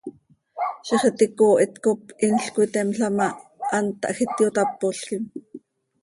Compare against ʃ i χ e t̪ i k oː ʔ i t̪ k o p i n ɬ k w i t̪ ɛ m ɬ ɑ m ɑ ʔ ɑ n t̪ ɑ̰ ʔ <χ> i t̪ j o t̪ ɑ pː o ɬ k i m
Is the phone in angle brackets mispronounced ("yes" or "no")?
yes